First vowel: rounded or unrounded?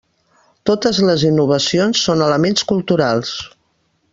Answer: rounded